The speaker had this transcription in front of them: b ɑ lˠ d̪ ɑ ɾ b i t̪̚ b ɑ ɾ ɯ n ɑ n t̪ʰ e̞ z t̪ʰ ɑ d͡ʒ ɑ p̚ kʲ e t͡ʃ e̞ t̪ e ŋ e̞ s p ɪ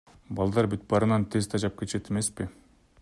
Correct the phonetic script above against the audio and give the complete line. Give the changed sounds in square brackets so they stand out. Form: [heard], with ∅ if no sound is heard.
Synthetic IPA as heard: b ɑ lˠ d̪ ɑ ɾ b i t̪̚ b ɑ ɾ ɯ n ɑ n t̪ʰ e̞ z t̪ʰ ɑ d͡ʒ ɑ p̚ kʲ e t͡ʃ e̞ t̪ e [m] e̞ s p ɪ